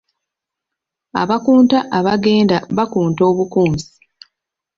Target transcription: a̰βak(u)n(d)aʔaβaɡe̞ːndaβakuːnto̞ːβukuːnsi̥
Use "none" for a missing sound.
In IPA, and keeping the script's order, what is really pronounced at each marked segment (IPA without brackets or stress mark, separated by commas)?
uː, t